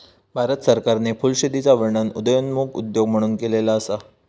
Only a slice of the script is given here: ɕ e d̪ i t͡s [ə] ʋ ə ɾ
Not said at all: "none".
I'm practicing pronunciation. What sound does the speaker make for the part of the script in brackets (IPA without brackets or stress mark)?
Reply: a